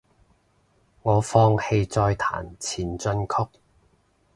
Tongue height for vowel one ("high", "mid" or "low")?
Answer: mid